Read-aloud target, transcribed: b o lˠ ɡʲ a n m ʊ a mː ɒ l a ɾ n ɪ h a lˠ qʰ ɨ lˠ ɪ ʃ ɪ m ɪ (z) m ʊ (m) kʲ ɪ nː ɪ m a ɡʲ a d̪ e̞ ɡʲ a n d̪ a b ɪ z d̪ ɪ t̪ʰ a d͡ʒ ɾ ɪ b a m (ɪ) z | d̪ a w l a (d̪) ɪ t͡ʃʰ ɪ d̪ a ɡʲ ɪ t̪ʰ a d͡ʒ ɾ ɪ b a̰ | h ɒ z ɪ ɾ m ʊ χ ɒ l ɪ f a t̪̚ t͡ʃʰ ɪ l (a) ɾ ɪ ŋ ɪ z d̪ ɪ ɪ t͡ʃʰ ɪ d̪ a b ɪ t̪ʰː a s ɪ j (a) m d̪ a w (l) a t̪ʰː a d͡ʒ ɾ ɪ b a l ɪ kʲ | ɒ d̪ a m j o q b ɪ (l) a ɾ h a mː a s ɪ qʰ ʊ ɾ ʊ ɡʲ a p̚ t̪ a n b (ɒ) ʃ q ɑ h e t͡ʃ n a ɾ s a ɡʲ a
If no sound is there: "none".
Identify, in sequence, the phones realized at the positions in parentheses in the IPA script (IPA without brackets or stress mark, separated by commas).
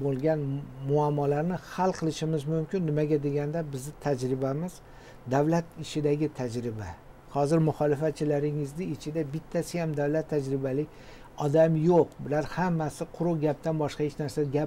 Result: z, m, ɪ, t̪, a, a, l, l, ɒ